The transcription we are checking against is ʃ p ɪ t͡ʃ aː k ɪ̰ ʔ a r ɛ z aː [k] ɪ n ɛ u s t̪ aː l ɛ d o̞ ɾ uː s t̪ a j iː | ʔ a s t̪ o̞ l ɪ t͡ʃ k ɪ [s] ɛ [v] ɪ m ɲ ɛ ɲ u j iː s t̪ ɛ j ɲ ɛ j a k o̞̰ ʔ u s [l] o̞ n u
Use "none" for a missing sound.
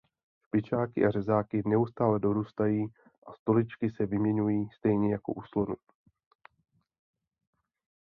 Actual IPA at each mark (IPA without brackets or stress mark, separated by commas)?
k, s, v, l